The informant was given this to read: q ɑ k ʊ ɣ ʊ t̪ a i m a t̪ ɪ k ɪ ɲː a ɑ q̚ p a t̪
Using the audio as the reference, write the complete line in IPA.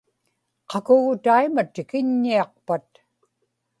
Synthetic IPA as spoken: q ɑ k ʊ ɣ ʊ t̪ a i m a t̪ ɪ k ɪ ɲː i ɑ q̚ p a t̪

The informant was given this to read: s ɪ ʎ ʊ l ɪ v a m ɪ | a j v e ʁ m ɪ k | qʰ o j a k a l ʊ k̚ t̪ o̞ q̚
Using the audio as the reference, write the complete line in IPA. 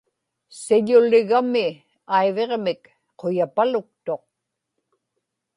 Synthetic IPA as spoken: s ɪ ʎ ʊ l ɪ ɣ a m ɪ | a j v e ʁ m ɪ k | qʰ o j a p a l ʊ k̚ t̪ o̞ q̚

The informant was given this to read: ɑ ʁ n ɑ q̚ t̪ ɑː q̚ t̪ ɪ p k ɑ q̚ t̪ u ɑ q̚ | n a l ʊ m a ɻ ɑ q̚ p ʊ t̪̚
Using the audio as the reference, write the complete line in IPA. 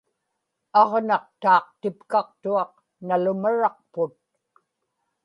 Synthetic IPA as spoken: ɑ ʁ n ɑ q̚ t̪ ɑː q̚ t̪ ɪ p k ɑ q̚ t̪ u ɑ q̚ | n a l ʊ m a ɻ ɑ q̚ p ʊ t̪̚

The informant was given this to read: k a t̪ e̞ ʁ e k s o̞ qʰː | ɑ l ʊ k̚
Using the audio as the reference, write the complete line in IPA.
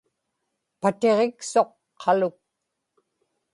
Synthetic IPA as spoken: p a t̪ e̞ ʁ e k s o̞ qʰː | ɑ l ʊ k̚

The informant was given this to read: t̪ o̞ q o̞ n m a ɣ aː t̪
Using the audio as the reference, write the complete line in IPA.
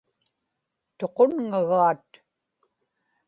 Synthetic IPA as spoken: t̪ o̞ q o̞ n ŋ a ɣ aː t̪

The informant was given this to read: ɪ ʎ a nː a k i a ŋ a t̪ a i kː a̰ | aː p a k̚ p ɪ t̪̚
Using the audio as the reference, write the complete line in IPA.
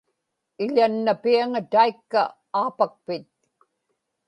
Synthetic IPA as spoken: ɪ ʎ a nː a p i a ŋ a t̪ a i kː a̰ | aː p a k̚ p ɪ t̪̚

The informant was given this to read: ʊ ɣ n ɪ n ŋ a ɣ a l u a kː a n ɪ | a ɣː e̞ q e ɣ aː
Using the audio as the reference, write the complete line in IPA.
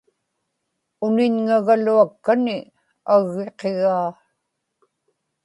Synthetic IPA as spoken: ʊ n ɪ ɲ ŋ a ɣ a l u a kː a n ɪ | a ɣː e̞ q e ɣ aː

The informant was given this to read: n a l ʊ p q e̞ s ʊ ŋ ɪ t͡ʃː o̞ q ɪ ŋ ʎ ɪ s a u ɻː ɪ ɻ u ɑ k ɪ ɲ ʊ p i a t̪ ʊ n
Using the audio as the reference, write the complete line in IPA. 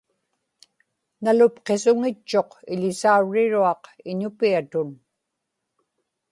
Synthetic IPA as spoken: n a l ʊ p q e̞ s ʊ ŋ ɪ t͡ʃː o̞ q ɪ ʎ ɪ s a u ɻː ɪ ɻ u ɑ q ɪ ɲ ʊ p i a t̪ ʊ n

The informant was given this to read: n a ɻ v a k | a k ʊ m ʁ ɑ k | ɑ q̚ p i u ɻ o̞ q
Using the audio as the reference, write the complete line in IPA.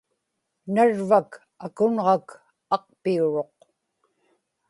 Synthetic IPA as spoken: n a ɻ v a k | a k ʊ n ʁ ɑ k | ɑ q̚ p i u ɻ o̞ q

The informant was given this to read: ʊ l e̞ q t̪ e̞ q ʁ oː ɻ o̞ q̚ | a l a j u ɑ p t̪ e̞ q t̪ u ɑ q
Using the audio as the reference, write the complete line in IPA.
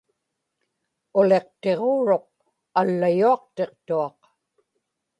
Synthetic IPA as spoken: ʊ l e̞ q t̪ e̞ ʁ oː ɻ o̞ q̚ | a lː a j u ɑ q t̪ e̞ q t̪ u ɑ q

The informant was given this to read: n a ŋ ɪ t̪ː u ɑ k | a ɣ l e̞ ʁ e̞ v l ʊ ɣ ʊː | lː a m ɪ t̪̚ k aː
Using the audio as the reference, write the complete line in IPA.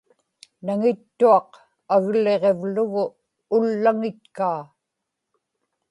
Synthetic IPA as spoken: n a ŋ ɪ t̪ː u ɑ q | a ɣ l e̞ ʁ e̞ v l ʊ ɣ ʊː | lː a ŋ ɪ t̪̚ k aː

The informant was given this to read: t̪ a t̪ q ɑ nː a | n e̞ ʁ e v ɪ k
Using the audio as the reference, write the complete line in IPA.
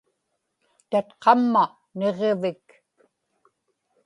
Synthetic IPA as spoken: t̪ a t̪ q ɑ mː a | n e̞ ʁ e v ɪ k

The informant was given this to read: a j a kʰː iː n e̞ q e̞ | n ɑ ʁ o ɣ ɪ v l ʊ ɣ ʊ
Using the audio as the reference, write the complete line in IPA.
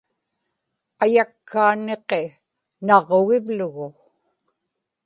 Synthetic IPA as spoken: a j a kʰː aː n e̞ q e̞ | n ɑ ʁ o ɣ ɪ v l ʊ ɣ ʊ

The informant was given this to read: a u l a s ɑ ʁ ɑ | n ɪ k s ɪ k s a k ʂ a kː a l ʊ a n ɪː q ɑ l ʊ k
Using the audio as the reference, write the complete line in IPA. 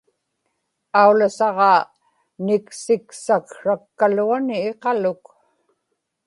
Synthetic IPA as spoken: a u l a s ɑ ʁ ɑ | n ɪ k s ɪ k s a k ʂ a kː a l u a n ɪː q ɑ l ʊ k

